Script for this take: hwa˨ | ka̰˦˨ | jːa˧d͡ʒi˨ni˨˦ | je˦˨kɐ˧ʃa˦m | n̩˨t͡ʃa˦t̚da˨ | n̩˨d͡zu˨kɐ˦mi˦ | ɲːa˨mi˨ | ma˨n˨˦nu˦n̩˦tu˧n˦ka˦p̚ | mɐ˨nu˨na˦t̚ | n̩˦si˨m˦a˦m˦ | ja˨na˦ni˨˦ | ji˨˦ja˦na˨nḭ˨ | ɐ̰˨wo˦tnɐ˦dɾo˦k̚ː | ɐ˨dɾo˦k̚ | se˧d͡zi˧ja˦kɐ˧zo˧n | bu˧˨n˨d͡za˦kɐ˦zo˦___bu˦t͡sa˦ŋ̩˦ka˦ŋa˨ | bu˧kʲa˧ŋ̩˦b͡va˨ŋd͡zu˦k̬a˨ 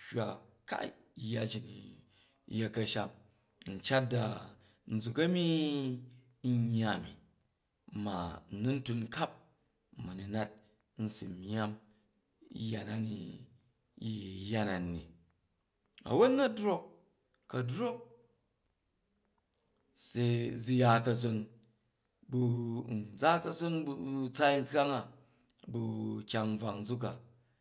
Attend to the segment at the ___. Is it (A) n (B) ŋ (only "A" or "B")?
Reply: A